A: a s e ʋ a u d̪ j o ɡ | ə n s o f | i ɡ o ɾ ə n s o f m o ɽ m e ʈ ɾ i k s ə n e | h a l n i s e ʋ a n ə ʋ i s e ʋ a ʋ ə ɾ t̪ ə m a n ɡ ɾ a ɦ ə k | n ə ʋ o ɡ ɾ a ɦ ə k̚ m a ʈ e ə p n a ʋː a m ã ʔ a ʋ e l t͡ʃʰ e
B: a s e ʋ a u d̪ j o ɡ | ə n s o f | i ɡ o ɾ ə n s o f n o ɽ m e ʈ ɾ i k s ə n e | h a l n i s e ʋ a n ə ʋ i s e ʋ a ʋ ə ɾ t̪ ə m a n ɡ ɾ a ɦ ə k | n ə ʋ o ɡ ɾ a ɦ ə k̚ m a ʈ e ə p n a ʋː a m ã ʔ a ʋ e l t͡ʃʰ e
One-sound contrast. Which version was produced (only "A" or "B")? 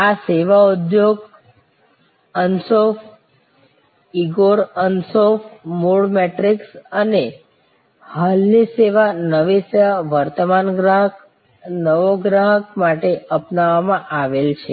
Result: A